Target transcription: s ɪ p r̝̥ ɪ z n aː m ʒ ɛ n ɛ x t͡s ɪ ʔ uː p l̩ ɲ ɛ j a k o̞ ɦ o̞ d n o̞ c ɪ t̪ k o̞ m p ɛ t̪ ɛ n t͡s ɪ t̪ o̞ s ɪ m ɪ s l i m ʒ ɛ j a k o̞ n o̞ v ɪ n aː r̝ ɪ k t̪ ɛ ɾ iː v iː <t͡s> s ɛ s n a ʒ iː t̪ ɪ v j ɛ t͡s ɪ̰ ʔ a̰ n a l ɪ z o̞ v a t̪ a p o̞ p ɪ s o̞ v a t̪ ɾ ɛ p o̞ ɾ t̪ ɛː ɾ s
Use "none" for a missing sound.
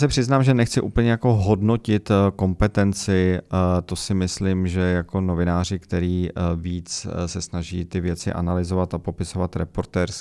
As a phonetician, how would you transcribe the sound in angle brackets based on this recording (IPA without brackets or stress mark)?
t͡s